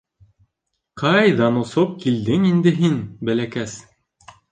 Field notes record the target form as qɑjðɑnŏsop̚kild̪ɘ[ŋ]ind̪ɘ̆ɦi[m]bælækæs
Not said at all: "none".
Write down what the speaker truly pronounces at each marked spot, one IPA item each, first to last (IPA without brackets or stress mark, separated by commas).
ŋ, n